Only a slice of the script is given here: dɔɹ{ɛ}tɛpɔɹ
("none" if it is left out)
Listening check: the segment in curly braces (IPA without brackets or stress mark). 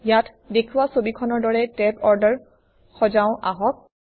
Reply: ɛ